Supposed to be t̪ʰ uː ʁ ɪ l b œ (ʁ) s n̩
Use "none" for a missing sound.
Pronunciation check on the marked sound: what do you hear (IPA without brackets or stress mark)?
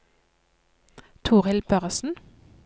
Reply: ʁ